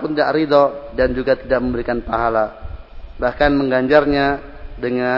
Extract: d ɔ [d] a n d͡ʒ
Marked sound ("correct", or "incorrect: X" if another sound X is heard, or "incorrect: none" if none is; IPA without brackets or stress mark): correct